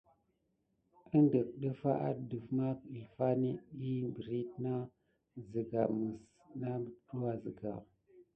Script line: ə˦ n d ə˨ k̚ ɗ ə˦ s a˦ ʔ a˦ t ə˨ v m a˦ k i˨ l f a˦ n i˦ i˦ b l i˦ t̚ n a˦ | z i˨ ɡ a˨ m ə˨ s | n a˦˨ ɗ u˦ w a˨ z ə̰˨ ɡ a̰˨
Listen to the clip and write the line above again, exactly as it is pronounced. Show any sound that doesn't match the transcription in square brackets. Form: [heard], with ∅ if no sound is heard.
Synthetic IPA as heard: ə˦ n d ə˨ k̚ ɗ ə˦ [f] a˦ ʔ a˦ [d] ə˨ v m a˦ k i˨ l f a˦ n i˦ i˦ b [ɾ] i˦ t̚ n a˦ | z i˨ ɡ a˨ m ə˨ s | n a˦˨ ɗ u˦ w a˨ z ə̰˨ ɡ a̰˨